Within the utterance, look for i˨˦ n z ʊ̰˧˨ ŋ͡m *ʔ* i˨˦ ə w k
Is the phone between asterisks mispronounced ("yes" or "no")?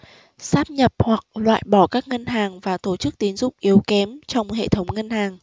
no